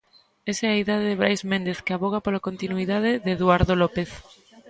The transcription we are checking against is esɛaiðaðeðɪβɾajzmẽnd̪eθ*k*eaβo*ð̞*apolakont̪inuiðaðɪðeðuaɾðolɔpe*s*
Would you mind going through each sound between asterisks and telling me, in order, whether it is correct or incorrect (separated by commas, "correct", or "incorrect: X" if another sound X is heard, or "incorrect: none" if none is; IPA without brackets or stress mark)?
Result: correct, incorrect: ɣ̞, incorrect: θ